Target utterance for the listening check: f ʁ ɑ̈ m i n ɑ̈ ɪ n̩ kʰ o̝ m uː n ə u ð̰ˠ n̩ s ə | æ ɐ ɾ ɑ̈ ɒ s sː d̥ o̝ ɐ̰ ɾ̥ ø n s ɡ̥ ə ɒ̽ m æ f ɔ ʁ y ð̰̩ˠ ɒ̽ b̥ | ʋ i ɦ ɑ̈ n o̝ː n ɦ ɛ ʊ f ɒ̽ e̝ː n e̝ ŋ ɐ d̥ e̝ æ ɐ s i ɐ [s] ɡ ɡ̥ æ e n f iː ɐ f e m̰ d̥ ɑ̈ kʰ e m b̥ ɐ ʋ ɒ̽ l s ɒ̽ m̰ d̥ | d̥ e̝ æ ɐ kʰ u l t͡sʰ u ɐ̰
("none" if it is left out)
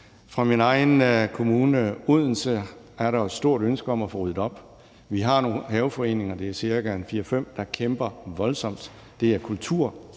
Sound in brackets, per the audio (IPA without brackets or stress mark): none